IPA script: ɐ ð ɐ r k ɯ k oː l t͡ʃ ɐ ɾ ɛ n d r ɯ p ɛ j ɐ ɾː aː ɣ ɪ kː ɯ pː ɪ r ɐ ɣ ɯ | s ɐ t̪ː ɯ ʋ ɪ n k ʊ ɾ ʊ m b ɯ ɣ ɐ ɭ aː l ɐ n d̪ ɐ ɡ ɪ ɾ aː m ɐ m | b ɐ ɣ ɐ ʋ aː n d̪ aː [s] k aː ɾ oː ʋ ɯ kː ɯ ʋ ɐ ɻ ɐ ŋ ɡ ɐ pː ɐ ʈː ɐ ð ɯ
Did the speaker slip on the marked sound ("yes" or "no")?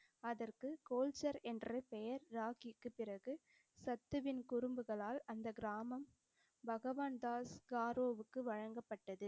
no